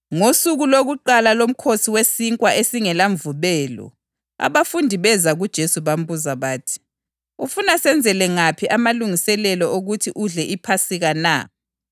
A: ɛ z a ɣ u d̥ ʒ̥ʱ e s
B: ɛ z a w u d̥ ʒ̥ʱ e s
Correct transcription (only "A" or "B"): A